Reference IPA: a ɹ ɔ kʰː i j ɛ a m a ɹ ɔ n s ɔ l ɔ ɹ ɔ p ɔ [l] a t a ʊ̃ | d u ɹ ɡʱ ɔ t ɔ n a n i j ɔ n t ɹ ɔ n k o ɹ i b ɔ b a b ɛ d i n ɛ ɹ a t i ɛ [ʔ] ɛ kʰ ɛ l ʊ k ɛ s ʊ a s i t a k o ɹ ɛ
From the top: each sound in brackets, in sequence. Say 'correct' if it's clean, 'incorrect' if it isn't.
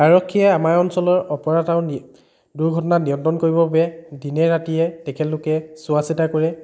incorrect: ɹ, incorrect: t

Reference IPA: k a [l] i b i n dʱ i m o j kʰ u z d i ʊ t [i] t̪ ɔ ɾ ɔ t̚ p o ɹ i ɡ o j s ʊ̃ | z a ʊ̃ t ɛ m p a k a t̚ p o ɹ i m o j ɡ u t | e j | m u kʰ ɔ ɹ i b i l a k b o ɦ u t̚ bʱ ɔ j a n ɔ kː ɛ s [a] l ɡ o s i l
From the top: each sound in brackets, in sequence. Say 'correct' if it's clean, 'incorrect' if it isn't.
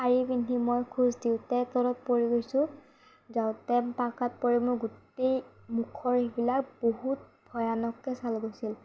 incorrect: ɹ, incorrect: ɛ, correct

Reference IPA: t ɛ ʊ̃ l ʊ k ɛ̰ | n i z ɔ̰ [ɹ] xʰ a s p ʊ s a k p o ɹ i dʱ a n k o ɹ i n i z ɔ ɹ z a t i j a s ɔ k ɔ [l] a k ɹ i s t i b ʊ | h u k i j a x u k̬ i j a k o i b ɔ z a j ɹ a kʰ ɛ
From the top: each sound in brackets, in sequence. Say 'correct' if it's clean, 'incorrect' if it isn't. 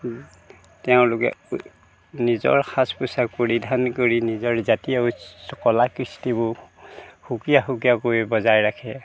correct, correct

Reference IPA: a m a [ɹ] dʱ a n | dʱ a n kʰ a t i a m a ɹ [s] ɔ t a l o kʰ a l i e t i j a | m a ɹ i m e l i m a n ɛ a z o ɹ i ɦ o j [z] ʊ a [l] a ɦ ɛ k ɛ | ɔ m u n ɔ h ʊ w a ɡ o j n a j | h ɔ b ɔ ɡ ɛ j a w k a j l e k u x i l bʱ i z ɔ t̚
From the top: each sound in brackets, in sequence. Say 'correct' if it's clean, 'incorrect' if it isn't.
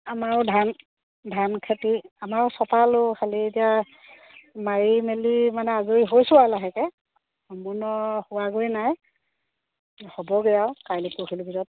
correct, correct, incorrect: s, correct

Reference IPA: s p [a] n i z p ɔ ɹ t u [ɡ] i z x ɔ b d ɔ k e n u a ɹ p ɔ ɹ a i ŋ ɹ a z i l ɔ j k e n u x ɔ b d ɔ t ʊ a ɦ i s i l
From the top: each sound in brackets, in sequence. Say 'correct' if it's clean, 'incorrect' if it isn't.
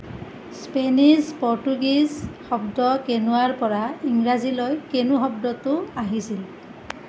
incorrect: e, correct

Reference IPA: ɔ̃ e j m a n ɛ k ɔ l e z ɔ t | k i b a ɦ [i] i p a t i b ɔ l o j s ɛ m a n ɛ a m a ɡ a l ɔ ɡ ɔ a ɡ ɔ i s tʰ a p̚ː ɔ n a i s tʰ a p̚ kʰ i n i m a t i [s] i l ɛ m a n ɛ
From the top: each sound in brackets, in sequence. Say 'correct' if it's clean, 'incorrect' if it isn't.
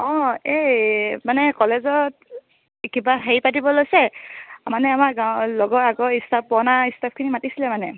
incorrect: e, correct

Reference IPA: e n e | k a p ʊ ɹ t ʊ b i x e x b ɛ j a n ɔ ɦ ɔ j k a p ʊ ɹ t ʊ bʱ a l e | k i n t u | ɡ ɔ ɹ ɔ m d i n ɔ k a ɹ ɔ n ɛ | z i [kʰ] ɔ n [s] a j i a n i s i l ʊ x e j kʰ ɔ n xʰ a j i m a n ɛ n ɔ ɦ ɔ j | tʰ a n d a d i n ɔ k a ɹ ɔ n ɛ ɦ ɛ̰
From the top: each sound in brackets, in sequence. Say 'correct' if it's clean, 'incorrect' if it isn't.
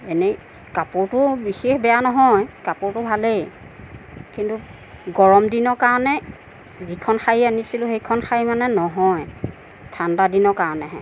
correct, incorrect: x

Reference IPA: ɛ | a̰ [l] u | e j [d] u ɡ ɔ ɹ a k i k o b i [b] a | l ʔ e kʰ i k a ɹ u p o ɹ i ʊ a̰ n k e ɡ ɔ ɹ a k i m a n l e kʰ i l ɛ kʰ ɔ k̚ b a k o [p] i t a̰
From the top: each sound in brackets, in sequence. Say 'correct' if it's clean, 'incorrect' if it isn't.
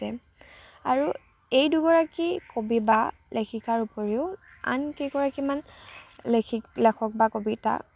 incorrect: ɹ, correct, correct, incorrect: b

